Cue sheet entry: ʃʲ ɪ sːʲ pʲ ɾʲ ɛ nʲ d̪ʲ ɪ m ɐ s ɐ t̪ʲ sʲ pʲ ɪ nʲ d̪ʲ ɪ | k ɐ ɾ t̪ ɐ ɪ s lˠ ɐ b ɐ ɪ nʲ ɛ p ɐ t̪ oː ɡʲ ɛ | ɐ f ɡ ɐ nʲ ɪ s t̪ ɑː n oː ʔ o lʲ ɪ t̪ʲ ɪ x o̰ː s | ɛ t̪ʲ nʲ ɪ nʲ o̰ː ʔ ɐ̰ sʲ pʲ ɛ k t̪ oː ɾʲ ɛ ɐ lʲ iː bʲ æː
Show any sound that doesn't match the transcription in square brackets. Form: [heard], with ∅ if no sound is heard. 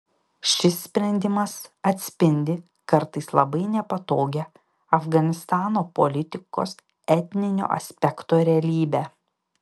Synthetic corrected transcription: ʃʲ ɪ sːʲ pʲ ɾʲ ɛ nʲ d̪ʲ ɪ m ɐ s ɐ t̪ʲ sʲ pʲ ɪ nʲ d̪ʲ ɪ | k ɐ ɾ t̪ ɐ ɪ s lˠ ɐ b ɐ ɪ nʲ ɛ p ɐ t̪ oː ɡʲ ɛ | ɐ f ɡ ɐ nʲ ɪ s t̪ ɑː n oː [p] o lʲ ɪ t̪ʲ ɪ [k] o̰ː s | ɛ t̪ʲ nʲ ɪ nʲ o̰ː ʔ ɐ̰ sʲ pʲ ɛ k t̪ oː ɾʲ ɛ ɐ lʲ iː bʲ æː